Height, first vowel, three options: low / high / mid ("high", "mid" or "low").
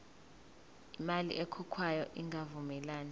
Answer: high